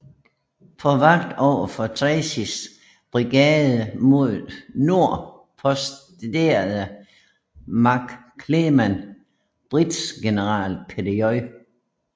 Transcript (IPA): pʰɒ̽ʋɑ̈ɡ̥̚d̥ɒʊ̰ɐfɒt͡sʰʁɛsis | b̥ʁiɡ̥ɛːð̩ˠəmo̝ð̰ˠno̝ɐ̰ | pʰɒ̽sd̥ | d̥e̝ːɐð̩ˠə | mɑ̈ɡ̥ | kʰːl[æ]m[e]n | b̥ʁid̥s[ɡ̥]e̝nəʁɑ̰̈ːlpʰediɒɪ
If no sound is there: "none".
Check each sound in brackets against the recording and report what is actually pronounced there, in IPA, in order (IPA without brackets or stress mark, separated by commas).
e, æ, ɡ̥